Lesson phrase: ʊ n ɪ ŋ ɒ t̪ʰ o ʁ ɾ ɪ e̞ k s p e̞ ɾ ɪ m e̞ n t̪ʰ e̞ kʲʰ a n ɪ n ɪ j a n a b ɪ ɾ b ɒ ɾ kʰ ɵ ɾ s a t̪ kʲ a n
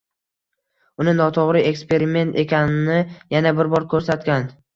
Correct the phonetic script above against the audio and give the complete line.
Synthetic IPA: ʊ n ɪ n ɒ t̪ʰ o ʁ ɾ ɪ e̞ k s p e̞ ɾ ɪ m e̞ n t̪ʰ e̞ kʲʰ a n ɪ n ɪ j a n a b ɪ ɾ b ɒ ɾ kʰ ɵ ɾ s a t̪ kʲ a n